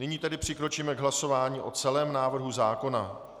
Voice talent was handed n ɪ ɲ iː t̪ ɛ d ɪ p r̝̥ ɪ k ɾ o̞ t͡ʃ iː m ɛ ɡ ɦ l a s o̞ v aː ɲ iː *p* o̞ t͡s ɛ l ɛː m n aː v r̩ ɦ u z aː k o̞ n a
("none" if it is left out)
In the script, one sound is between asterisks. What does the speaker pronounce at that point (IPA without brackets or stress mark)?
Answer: ʔ